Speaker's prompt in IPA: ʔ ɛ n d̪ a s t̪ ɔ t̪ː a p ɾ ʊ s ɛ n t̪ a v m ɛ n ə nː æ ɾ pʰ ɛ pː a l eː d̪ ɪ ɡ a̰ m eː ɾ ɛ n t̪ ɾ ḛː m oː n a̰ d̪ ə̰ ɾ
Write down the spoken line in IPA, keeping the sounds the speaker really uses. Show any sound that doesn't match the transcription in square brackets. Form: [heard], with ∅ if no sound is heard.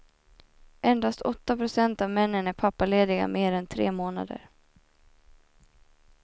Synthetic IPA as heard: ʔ ɛ n d̪ a s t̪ ɔ t̪ː a p ɾ ʊ s ɛ n t̪ a v m ɛ [nː] ə [n] æ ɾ pʰ [a] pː a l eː d̪ ɪ ɡ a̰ m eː ɾ ɛ n [t̪ʰ] ɾ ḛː m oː n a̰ d̪ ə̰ ɾ